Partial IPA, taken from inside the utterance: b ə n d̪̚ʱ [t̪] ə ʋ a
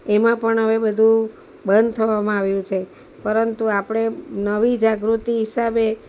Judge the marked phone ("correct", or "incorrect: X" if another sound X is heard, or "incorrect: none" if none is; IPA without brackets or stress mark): incorrect: t̪ʰ